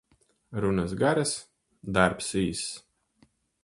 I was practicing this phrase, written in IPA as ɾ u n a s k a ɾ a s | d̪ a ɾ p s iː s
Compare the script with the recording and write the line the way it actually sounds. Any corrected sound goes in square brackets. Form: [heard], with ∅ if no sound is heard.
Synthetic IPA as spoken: ɾ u n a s [ɡ] a ɾ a s | d̪ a ɾ p s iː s

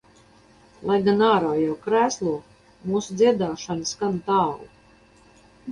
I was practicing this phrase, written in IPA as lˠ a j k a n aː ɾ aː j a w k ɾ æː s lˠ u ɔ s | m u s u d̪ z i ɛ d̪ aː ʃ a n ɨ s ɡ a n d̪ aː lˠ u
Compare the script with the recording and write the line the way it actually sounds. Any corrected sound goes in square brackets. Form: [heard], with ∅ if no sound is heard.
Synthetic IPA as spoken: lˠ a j [ɡ] a n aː ɾ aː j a w k ɾ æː s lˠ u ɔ [∅] | m [uː] s u d̪ z i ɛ d̪ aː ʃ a n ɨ s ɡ a n [t̪] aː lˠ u

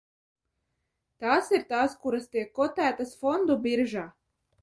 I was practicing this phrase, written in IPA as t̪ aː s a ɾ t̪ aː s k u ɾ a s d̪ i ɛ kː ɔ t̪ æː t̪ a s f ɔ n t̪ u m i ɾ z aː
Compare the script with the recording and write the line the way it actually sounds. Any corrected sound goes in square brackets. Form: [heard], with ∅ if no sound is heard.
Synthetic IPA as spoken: t̪ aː s [i] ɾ t̪ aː s k u ɾ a s [t̪] i ɛ kː ɔ t̪ æː t̪ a s f ɔ n [d̪] u [b] i ɾ [ʒ] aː

